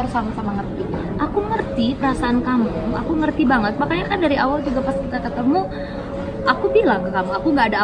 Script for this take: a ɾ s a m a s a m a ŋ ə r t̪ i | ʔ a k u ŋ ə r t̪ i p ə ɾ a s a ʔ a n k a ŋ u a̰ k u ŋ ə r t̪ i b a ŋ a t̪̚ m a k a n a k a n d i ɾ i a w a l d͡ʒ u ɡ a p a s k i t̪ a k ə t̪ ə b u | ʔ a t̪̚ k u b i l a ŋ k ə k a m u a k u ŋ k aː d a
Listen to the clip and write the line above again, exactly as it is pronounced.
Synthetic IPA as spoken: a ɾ s a m a s a m a ŋ ə r t̪ i | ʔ a k u ŋ ə r t̪ i p ə ɾ a s a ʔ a n k a m u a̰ k u ŋ ə r t̪ i b a ŋ ə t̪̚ m a k a ɲ a k a n d a ɾ i a w a l d͡ʒ u ɡ a p a s k i t̪ a k ə t̪ ə m u | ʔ a k u b i l a ŋ k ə k a m u a k u ŋ ɡ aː d a